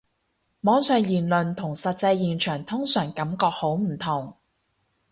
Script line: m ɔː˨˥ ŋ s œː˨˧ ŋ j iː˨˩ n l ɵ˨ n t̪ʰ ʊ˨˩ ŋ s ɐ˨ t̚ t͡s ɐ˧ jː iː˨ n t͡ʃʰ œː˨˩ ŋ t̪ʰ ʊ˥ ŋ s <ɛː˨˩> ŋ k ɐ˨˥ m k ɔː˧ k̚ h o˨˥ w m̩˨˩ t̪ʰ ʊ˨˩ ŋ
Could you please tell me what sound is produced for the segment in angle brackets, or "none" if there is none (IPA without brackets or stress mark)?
œː˨˩